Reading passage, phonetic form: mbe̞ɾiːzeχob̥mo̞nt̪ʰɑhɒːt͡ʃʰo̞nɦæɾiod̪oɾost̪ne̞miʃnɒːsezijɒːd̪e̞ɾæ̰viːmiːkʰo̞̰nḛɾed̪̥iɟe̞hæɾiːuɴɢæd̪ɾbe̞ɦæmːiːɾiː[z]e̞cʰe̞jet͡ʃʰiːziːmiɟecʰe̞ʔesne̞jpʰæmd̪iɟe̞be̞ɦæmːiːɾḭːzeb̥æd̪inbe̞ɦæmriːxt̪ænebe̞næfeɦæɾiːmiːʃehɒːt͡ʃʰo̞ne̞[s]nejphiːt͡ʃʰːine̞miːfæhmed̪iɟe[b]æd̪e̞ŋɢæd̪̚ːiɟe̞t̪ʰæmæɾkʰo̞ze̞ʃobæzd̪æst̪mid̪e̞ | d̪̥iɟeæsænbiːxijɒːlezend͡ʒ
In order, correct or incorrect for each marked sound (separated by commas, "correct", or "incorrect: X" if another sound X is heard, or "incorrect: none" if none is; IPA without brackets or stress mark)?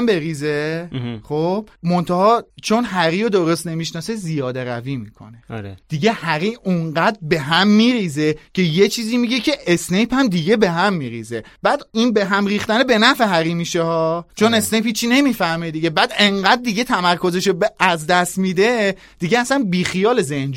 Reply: correct, correct, correct